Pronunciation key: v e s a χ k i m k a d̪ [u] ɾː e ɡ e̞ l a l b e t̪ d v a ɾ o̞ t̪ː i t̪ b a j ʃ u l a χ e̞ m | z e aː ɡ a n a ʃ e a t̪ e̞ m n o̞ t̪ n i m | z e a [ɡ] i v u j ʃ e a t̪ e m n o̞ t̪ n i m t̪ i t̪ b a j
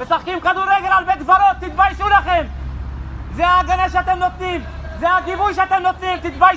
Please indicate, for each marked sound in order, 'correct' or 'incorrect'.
correct, correct

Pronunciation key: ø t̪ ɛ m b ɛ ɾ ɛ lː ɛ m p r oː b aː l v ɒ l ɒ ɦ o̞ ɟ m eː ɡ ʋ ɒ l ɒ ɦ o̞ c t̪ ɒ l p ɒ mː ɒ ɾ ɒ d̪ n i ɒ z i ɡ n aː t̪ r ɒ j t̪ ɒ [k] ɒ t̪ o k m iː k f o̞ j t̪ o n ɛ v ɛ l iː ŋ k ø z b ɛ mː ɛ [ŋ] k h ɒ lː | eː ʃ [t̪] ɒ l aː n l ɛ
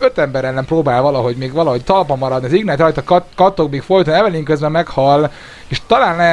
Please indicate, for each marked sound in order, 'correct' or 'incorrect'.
correct, incorrect: none, correct

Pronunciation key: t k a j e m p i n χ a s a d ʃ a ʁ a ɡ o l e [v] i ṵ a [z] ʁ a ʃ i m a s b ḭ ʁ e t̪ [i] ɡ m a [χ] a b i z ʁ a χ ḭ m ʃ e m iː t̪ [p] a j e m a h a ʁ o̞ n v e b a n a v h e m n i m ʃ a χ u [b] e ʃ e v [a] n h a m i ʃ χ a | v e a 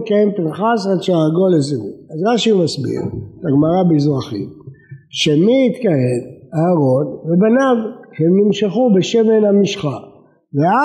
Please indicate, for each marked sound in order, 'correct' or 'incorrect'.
incorrect: z, correct, incorrect: a, incorrect: ʁ, incorrect: k, correct, incorrect: e

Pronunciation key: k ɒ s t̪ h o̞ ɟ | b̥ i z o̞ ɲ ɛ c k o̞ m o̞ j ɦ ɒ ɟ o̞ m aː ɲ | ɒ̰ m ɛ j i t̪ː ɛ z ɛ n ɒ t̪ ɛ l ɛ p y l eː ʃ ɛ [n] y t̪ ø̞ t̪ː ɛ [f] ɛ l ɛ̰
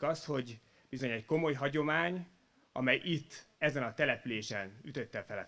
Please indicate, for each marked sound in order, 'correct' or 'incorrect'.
correct, correct

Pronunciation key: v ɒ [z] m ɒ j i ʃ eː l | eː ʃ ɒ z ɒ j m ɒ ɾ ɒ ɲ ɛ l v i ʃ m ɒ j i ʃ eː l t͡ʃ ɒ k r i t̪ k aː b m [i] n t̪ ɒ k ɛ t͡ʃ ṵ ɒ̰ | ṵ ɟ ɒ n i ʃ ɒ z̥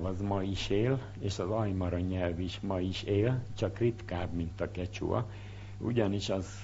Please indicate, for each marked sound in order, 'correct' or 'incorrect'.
correct, correct

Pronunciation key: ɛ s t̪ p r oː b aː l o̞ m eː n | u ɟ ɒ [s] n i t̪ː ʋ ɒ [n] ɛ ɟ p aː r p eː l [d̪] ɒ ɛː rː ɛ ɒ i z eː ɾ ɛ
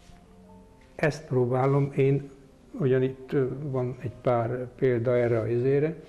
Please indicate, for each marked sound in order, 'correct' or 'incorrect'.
incorrect: none, correct, correct

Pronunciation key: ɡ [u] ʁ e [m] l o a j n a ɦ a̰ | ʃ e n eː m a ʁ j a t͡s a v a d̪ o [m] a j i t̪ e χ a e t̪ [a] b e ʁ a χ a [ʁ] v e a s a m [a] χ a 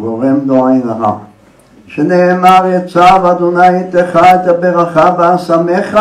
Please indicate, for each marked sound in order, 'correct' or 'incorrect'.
incorrect: o, correct, incorrect: n, correct, incorrect: none, incorrect: e

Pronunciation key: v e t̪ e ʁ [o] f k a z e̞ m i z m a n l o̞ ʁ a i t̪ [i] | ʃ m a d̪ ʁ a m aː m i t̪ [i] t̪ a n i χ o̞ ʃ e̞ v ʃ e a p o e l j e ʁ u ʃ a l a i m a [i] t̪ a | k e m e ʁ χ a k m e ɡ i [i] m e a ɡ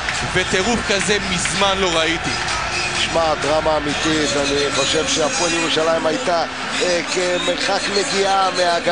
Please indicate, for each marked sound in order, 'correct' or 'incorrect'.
incorrect: u, correct, correct, incorrect: j, incorrect: a

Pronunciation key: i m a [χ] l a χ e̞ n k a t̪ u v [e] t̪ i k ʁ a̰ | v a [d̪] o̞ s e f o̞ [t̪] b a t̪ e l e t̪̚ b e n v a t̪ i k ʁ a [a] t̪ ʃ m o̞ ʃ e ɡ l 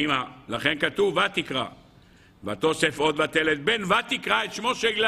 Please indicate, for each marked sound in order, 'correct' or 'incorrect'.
incorrect: none, incorrect: a, incorrect: t̪, incorrect: d̪, incorrect: e

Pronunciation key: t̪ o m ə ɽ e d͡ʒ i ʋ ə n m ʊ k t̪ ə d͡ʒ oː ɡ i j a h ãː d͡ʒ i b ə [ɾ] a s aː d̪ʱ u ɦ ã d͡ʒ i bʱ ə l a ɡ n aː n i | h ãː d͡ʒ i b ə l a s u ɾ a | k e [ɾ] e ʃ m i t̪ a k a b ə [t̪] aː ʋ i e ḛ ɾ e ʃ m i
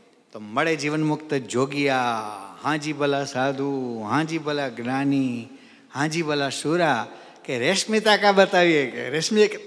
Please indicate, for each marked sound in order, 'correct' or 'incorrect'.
incorrect: l, correct, correct

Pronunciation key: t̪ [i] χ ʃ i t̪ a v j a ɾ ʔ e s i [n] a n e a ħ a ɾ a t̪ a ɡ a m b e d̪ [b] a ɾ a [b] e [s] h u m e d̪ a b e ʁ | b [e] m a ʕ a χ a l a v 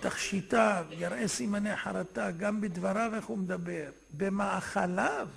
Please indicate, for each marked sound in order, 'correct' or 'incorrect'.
incorrect: a, incorrect: m, incorrect: v, incorrect: v, incorrect: χ, correct

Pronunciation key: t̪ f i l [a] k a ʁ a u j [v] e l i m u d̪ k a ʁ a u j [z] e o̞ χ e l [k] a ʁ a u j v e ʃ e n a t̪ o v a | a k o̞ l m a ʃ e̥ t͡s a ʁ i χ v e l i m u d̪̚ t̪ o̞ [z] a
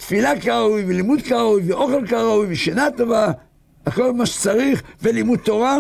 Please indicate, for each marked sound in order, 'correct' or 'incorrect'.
correct, correct, incorrect: v, correct, incorrect: ʁ

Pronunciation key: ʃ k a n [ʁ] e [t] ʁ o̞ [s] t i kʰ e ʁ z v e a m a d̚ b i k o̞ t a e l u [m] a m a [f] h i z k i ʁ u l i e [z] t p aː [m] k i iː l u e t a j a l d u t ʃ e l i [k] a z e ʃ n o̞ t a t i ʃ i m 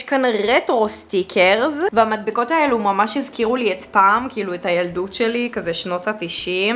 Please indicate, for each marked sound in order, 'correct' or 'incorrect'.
correct, correct, correct, correct, incorrect: ʃ, incorrect: none, correct, correct

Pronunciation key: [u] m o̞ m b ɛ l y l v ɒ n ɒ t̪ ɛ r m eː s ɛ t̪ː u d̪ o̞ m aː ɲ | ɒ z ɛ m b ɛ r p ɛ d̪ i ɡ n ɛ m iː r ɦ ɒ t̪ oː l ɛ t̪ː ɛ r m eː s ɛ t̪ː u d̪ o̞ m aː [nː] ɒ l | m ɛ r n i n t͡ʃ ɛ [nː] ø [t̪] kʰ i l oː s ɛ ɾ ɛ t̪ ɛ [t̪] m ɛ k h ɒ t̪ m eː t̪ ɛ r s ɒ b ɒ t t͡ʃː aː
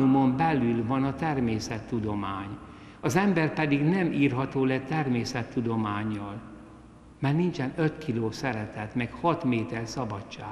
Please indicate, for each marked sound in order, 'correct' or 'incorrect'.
correct, incorrect: ɲː, incorrect: n, correct, correct

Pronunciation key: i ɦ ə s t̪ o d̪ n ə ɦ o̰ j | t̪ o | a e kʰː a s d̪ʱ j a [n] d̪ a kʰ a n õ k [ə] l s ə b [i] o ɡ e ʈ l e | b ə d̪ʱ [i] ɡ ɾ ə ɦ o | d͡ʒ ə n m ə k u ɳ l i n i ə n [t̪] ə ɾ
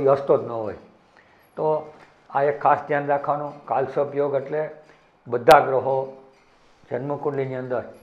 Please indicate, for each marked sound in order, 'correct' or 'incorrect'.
correct, incorrect: a, incorrect: j, incorrect: a, incorrect: d̪

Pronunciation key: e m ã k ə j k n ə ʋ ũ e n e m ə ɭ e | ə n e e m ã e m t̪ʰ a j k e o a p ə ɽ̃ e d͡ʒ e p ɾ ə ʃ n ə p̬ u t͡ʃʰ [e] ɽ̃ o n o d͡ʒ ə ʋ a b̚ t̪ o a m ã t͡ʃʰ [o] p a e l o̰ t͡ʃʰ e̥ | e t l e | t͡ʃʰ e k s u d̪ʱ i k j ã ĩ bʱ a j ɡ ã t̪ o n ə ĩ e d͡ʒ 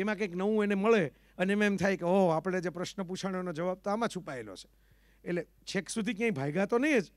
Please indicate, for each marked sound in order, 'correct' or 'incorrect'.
incorrect: a, incorrect: u

